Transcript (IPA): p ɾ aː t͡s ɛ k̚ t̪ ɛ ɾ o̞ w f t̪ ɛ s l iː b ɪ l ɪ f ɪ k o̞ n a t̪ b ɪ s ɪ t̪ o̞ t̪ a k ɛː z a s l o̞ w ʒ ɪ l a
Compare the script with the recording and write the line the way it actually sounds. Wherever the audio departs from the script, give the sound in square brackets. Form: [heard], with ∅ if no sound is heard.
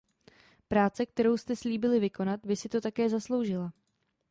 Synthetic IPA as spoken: p ɾ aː t͡s ɛ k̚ t̪ ɛ ɾ o̞ w [s] t̪ ɛ s l iː b ɪ l ɪ [v] ɪ k o̞ n a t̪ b ɪ s ɪ t̪ o̞ t̪ a k ɛː z a s l o̞ w ʒ ɪ l a